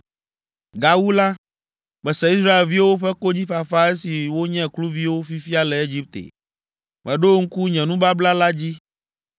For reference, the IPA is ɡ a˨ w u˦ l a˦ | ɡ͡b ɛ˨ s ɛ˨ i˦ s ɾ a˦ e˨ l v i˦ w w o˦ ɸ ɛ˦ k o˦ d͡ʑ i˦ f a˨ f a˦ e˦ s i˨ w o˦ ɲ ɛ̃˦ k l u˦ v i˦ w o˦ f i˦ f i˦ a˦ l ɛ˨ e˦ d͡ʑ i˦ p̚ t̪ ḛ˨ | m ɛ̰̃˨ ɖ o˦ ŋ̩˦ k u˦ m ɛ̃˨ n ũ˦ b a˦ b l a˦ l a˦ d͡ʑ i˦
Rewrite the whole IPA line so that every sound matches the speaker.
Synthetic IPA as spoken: ɡ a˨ w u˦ l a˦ | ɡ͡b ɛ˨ s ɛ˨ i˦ s ɾ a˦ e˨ l v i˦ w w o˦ ɸ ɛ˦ k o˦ d͡ʑ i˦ f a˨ f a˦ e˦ s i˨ w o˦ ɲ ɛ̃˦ k l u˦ v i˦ w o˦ f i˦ f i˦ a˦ l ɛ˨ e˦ d͡ʑ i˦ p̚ t̪ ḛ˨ | m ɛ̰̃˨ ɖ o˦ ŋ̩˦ k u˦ ɲ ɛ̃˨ n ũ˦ b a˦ b l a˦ l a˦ d͡ʑ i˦